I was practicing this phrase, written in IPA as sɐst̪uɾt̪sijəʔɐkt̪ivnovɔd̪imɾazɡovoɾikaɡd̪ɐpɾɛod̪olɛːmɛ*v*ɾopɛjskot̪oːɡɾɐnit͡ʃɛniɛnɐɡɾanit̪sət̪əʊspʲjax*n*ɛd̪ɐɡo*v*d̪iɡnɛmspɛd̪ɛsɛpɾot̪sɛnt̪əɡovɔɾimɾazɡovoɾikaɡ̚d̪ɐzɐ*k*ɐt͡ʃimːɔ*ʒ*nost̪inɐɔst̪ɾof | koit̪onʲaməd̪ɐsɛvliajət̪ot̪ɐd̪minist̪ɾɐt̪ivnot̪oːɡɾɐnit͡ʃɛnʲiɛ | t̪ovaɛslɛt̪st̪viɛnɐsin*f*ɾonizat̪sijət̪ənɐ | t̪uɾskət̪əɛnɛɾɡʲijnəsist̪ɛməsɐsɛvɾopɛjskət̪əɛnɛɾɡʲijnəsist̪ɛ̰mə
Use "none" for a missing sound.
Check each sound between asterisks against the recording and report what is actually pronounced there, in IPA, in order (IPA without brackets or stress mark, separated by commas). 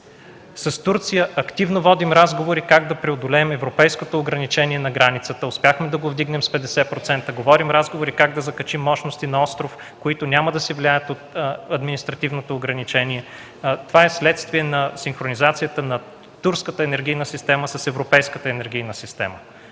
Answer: v, m, v, k, ʃ, x